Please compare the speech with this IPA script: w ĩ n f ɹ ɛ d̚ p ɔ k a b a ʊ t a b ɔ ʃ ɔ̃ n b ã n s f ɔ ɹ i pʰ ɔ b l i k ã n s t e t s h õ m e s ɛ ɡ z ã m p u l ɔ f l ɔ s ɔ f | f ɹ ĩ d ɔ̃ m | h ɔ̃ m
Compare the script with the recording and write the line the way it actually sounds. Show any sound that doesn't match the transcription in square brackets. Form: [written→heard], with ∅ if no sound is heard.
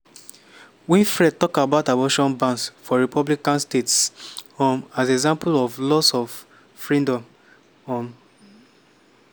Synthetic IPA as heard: w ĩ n f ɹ ɛ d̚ [p→t] ɔ k a b a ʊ t a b ɔ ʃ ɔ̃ n b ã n s f ɔ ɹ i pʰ ɔ b l i k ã n s t e t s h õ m [e→a] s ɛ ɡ z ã m p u l ɔ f l ɔ s ɔ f | f ɹ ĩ d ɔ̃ m | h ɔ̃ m